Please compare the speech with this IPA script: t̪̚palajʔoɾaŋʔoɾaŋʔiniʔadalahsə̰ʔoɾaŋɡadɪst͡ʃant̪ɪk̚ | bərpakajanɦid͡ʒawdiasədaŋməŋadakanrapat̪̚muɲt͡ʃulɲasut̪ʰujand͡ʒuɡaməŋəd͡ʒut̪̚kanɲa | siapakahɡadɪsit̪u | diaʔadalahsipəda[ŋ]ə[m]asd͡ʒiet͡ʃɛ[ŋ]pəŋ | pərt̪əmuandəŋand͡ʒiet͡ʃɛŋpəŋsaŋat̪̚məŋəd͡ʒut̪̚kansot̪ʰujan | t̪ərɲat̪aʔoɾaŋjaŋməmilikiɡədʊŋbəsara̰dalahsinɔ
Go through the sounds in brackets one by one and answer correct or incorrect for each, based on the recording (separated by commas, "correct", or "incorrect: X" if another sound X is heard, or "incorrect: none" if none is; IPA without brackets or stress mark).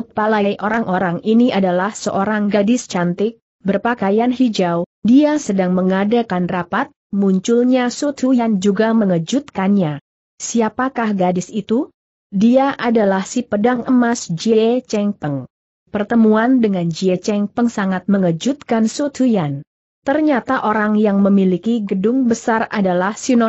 correct, correct, correct